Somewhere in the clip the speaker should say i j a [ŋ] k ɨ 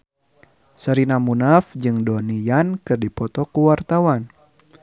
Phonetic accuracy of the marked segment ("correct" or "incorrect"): incorrect